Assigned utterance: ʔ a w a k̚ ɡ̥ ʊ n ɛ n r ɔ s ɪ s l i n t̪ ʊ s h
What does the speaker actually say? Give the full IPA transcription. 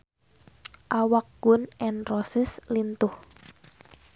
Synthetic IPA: ʔ a w a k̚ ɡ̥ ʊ n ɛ n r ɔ s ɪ s l i n t̪ ʊ h